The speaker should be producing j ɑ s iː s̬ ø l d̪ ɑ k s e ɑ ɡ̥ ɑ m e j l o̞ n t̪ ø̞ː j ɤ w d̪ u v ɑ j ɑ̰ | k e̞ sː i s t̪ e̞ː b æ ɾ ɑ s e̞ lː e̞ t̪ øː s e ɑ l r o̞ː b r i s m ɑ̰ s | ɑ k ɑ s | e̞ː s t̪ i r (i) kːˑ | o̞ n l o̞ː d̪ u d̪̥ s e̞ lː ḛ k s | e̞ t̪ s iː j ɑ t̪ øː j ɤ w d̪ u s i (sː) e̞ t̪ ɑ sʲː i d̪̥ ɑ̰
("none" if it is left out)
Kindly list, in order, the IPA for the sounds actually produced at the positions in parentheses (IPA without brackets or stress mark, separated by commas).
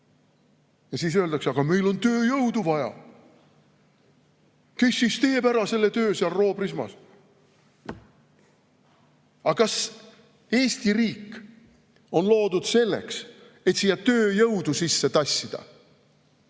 iː, sː